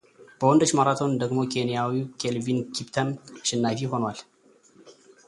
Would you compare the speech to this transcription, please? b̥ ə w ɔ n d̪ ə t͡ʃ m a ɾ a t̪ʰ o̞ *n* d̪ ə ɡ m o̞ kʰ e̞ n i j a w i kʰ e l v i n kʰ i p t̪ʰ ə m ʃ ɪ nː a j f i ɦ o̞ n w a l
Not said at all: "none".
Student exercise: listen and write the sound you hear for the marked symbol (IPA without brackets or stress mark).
n